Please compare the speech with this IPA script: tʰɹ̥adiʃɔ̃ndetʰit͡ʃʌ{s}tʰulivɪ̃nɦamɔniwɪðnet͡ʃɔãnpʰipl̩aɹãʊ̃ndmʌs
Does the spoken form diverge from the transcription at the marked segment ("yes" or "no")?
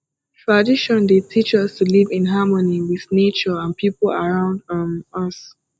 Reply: no